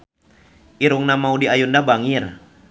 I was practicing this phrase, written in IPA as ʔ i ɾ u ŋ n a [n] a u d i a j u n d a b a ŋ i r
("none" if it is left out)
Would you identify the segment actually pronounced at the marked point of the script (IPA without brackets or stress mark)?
m